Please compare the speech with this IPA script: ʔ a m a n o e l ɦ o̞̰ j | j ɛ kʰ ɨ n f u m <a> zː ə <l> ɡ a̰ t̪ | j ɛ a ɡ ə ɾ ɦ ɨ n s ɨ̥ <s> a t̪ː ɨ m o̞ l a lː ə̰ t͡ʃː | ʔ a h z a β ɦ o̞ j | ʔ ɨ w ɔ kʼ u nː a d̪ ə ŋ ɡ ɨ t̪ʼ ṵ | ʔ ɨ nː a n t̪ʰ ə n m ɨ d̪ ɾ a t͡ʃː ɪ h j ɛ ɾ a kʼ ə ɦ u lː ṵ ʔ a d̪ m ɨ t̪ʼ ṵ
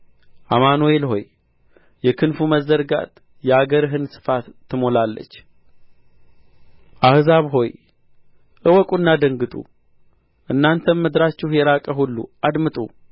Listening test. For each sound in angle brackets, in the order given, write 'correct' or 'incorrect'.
incorrect: ə, incorrect: ɾ, incorrect: f

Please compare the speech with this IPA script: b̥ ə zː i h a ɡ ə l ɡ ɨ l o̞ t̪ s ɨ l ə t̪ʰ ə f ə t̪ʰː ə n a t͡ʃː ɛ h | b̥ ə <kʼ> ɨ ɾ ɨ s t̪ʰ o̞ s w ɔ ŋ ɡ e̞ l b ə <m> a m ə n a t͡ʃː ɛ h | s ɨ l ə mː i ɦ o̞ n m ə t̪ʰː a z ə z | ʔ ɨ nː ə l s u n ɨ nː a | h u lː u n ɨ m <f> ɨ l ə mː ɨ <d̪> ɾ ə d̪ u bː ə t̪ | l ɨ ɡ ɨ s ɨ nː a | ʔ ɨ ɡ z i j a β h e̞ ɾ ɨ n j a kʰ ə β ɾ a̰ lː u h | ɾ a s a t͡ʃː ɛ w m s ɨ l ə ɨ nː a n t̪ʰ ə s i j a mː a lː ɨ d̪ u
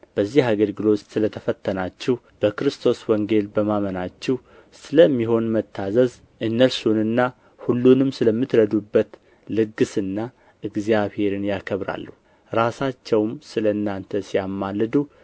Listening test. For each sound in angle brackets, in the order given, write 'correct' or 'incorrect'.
incorrect: k, correct, incorrect: s, incorrect: t̪

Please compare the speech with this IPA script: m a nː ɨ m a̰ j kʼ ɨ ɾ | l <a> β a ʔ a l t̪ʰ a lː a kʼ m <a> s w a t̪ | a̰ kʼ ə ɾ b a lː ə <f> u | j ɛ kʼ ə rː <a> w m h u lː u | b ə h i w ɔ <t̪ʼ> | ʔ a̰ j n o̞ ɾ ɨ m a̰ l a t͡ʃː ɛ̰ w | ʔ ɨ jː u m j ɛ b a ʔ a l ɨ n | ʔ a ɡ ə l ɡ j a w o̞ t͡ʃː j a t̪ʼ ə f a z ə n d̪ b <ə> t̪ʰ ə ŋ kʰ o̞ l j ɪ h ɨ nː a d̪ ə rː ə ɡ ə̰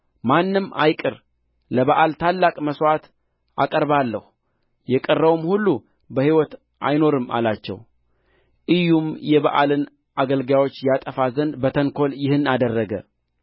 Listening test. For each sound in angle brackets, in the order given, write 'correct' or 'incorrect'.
incorrect: ə, incorrect: ə, incorrect: h, incorrect: ə, incorrect: t̪, correct

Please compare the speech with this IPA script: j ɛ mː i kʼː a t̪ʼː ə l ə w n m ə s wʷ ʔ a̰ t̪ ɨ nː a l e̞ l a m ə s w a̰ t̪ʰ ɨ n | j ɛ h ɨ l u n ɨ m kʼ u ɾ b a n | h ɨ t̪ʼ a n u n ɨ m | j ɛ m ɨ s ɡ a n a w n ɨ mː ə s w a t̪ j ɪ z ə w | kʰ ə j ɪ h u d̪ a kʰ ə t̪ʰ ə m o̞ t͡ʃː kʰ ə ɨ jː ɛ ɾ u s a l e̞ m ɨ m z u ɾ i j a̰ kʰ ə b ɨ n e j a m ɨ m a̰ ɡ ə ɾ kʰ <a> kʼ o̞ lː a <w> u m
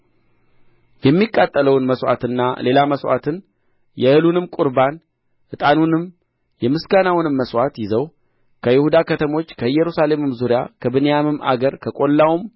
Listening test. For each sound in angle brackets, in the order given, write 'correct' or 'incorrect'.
incorrect: ə, correct

